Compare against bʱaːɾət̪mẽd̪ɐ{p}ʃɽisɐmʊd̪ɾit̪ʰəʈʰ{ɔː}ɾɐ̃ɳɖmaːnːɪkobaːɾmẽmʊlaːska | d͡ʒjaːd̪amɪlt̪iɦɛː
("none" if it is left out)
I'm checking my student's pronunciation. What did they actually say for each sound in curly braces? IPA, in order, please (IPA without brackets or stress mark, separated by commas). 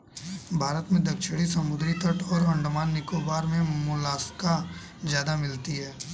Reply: k, ɔː